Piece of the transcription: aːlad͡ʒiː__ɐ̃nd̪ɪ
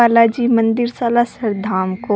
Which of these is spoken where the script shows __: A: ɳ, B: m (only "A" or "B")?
B